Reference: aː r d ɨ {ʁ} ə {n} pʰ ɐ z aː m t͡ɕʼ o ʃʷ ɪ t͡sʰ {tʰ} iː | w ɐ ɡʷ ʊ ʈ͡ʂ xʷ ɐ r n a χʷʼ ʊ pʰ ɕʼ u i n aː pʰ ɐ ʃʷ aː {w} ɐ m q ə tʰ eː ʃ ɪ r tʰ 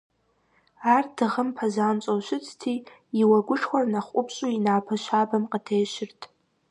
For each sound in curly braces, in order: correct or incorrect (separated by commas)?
correct, incorrect, correct, incorrect